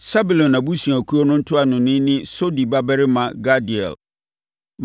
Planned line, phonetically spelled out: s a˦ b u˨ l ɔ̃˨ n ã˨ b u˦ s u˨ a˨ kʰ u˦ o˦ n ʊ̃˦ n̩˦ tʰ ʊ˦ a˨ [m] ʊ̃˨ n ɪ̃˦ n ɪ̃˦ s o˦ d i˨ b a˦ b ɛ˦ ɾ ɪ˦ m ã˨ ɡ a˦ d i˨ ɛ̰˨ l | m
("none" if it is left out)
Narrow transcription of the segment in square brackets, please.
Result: n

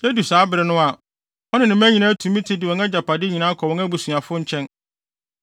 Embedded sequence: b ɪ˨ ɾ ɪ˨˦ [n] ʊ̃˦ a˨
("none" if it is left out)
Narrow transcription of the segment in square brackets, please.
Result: n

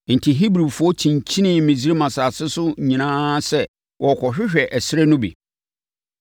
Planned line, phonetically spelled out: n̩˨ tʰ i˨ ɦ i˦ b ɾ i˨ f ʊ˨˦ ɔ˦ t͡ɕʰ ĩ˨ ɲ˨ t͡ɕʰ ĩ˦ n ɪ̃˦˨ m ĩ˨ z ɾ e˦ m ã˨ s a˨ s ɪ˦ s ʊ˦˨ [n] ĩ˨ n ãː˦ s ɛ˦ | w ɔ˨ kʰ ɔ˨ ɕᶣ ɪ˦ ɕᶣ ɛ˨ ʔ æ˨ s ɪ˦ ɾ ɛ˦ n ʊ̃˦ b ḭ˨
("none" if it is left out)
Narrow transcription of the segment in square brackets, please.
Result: ɲ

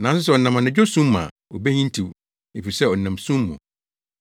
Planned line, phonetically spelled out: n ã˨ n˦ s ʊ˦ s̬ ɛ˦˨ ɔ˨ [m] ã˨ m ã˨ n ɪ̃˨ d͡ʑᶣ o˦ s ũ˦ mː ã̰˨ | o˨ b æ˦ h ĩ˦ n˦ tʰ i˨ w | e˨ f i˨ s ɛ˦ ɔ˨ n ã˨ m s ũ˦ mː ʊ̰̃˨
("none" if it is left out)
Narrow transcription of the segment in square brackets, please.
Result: n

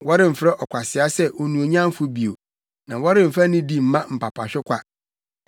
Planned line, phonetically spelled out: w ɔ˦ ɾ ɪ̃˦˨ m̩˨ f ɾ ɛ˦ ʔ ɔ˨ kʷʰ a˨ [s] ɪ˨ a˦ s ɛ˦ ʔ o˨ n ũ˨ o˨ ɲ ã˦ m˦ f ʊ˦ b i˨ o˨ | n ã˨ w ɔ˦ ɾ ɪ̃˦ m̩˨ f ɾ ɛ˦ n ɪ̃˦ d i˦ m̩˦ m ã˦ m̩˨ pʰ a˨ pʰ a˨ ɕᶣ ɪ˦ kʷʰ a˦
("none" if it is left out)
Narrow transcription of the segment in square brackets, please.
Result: s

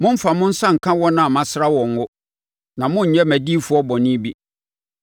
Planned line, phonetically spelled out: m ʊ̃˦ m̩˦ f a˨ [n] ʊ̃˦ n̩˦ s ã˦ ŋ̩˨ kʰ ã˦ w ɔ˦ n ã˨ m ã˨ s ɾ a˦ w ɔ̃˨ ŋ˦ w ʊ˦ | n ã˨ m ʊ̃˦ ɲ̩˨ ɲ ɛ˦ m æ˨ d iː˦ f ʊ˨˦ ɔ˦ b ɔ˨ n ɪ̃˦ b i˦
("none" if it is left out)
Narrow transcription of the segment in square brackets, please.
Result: m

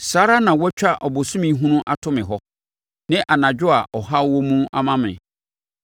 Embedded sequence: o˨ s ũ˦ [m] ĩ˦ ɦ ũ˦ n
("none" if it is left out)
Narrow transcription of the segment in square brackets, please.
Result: m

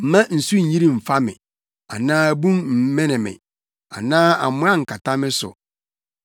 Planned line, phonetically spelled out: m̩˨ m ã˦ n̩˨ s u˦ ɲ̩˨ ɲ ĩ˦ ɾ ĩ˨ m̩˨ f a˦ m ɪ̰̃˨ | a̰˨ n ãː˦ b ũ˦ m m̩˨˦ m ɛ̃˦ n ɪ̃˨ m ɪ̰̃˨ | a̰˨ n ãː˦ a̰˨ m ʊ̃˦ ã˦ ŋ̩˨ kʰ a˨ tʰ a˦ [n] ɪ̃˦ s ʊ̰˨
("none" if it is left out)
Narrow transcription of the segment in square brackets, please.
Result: m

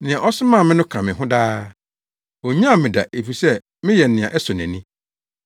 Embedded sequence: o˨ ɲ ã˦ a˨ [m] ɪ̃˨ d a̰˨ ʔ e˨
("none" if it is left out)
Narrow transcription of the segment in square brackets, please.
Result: m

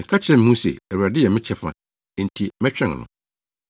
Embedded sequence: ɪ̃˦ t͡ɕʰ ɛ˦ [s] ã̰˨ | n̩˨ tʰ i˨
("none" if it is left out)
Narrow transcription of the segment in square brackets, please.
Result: f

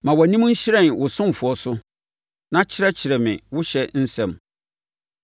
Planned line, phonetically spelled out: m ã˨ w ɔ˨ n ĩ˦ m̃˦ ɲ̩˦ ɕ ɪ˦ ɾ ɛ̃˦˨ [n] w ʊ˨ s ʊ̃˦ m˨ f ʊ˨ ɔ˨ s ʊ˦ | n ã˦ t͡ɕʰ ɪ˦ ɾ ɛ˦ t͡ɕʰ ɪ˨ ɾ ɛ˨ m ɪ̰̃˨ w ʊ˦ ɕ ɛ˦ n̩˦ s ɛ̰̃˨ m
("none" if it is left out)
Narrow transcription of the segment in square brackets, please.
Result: n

